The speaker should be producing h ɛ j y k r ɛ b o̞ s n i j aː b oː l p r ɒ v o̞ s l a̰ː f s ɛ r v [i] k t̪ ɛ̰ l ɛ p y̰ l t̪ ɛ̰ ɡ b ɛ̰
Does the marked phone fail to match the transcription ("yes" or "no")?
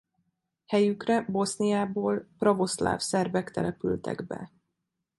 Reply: yes